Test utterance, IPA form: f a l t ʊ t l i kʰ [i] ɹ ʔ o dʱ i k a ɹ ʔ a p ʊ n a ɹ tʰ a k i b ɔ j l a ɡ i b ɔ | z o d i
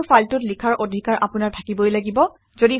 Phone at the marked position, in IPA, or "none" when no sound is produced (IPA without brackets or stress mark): a